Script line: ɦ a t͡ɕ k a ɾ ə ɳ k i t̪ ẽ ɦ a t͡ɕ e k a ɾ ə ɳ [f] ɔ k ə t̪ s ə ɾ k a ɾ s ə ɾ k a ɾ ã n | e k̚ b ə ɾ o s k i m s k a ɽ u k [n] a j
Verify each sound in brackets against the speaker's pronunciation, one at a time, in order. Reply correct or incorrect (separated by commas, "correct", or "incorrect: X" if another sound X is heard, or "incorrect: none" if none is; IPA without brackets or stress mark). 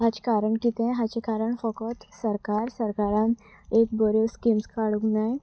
correct, correct